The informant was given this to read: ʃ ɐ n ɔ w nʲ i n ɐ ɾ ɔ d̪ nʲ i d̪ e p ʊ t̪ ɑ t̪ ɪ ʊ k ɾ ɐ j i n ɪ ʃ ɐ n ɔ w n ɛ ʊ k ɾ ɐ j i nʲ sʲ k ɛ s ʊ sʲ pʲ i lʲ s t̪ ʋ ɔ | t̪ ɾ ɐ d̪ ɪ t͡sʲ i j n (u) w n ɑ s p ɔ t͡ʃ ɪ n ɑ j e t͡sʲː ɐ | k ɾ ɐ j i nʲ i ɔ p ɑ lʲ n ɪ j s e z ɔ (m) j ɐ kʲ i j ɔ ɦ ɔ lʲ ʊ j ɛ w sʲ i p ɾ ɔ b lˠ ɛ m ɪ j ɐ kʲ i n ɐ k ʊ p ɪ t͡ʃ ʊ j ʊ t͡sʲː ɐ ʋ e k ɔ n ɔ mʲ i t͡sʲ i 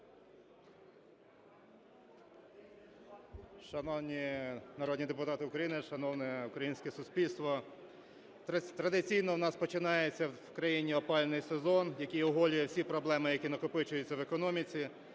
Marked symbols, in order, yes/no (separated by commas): no, no